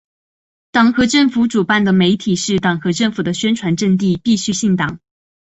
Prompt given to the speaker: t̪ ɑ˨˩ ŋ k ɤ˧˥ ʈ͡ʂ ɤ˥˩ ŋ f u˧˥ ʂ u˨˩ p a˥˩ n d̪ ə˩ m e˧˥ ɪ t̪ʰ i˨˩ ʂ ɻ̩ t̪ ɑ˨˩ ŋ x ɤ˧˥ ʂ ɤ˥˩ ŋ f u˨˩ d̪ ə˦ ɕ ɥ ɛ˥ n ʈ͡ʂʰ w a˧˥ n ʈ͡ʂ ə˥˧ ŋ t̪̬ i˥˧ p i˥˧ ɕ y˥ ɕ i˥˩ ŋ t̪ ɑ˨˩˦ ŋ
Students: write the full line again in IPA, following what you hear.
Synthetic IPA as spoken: t̪ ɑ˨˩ ŋ x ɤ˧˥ ʈ͡ʂ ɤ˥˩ ŋ f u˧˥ ʈ͡ʂ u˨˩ p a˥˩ n d̪ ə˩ m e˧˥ ɪ t̪ʰ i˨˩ ʂ ɻ̩ t̪ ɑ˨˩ ŋ x ɤ˧˥ ʈ͡ʂ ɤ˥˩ ŋ f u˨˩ d̪ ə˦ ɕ ɥ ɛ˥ n ʈ͡ʂʰ w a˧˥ n ʈ͡ʂ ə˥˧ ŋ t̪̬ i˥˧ p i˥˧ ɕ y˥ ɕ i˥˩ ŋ t̪ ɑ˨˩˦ ŋ